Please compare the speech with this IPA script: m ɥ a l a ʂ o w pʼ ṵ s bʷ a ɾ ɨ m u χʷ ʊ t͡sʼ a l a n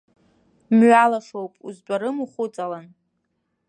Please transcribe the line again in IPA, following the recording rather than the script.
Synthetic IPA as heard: m ɥ a l a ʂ o w pʼ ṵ z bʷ a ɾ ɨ m u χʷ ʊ t͡sʼ a l a n